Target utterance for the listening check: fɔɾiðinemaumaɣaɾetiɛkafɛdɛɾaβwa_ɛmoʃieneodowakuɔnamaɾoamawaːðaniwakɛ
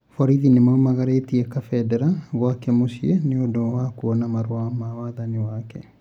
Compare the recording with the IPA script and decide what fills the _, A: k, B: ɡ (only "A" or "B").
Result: A